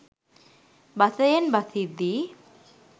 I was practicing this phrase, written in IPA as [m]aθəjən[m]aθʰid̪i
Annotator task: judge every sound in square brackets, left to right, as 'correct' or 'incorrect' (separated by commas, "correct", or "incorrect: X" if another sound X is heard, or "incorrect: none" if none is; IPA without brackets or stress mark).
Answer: incorrect: b, incorrect: b